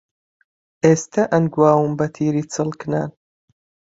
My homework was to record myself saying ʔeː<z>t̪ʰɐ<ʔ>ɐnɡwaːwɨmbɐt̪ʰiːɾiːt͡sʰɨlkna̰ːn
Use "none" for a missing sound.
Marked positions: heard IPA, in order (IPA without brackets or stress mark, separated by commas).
s, ʔ